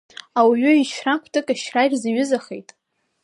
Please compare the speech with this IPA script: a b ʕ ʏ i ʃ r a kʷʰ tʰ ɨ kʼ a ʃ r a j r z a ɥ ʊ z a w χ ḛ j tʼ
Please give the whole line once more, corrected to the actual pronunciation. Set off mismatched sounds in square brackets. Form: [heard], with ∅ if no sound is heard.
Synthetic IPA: a [w] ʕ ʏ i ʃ r a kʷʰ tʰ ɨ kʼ a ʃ r a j r z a ɥ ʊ z a [∅] χ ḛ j tʼ